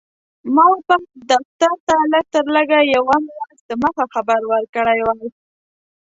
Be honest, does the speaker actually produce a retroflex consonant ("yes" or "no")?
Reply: yes